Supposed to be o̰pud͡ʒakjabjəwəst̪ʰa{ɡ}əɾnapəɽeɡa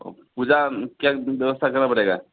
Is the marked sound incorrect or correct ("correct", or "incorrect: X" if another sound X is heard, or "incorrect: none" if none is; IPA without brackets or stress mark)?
incorrect: k